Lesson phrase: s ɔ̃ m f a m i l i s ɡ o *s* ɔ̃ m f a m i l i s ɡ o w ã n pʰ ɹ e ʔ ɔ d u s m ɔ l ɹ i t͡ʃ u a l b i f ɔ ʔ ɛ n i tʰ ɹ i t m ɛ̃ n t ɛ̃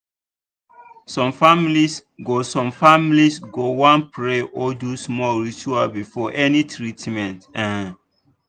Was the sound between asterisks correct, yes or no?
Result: yes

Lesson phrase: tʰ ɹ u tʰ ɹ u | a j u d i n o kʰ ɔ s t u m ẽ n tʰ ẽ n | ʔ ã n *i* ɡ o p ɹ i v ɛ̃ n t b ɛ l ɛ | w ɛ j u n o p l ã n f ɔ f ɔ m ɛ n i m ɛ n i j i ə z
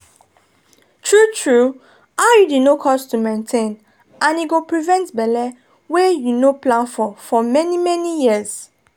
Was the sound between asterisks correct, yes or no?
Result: yes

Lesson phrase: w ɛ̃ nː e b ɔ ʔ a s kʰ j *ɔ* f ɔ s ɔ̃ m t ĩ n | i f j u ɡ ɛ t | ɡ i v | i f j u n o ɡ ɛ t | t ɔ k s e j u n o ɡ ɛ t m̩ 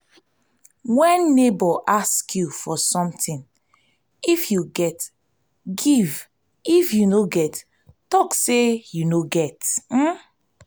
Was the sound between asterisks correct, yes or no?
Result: no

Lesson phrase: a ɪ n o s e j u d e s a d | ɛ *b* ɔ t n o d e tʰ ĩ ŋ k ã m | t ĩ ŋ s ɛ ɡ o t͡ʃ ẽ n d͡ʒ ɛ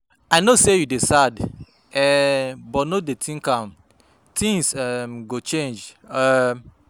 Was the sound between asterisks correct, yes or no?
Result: yes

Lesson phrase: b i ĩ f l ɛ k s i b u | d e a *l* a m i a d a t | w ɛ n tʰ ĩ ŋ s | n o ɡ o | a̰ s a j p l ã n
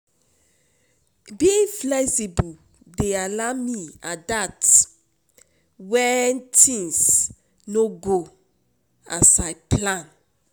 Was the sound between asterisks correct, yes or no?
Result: yes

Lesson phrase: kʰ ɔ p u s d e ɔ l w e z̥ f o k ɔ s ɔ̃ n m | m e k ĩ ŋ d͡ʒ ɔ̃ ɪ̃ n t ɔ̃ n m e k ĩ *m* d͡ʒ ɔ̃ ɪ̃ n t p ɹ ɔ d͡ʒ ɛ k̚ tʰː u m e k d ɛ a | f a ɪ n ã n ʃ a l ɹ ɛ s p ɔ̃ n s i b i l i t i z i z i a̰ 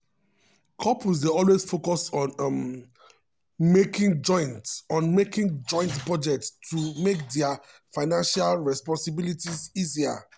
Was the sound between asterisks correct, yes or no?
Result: no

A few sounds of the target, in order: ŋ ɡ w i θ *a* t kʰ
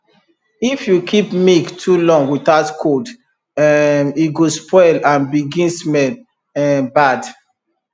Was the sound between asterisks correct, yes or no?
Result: yes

